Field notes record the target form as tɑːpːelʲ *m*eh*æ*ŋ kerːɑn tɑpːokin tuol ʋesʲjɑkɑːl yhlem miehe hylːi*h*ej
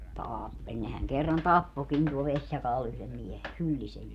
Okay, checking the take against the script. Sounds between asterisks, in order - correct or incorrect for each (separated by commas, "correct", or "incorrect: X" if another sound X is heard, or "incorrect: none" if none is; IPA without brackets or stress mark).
incorrect: n, correct, incorrect: s